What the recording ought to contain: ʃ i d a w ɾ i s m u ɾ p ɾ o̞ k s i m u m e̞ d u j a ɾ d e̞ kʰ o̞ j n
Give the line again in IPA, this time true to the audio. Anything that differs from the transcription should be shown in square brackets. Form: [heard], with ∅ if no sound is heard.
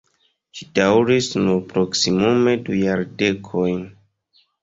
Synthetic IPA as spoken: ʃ i d a w ɾ i s [n] u ɾ p ɾ o̞ k s i m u m e̞ d u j a ɾ d e̞ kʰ o̞ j n